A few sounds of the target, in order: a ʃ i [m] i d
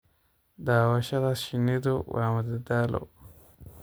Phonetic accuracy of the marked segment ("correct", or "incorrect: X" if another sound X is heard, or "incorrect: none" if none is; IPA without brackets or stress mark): incorrect: n